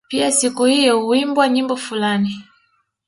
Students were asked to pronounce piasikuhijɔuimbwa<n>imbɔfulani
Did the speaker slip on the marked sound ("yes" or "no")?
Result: yes